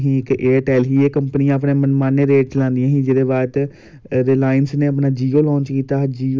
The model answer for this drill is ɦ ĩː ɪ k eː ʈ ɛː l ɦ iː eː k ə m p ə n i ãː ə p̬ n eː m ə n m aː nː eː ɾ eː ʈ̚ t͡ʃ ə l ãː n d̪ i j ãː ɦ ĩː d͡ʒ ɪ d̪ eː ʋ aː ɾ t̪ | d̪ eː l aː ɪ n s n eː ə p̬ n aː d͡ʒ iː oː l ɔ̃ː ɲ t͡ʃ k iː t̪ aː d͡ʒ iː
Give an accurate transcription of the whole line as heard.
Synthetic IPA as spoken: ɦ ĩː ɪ k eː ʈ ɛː l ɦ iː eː k ə m p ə n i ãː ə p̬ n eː m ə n m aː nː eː ɾ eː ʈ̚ t͡ʃ ə l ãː n d̪ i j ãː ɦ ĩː d͡ʒ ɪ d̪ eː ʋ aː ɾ t̪ | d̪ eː l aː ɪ n s n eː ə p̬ n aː d͡ʒ iː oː l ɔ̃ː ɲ t͡ʃ k iː t̪ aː d͡ʒ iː